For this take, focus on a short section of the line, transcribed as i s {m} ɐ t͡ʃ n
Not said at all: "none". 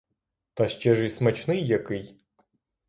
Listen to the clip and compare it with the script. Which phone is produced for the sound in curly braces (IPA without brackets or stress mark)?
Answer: m